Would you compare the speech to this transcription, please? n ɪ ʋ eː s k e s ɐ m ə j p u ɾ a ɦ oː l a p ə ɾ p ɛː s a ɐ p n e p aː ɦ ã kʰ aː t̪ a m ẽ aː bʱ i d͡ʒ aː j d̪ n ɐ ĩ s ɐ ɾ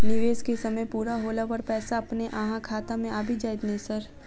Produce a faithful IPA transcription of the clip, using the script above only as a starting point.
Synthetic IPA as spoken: n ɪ ʋ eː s k e s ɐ m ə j p uː ɾ a ɦ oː l a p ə ɾ p ɛː s a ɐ p n e ʔ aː ɦ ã kʰ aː t̪ a m ẽ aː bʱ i d͡ʒ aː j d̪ n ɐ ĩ s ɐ ɾ